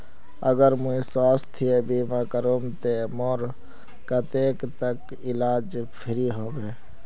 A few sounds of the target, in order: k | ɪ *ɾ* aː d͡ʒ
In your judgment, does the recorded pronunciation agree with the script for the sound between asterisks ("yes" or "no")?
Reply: no